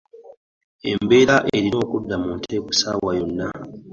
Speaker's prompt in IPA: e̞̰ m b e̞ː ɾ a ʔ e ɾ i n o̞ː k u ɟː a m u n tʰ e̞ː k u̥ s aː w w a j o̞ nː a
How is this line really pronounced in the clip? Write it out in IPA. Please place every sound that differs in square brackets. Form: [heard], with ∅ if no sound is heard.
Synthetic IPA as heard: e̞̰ m b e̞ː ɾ a ʔ e ɾ i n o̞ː k u [dː] a m u n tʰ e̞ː k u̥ s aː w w a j o̞ nː a